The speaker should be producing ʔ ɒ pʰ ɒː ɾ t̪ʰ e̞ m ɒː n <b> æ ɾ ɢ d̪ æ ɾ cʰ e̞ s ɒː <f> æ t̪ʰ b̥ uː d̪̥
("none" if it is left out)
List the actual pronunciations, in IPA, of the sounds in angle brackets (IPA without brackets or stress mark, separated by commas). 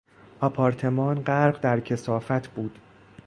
ɢ, f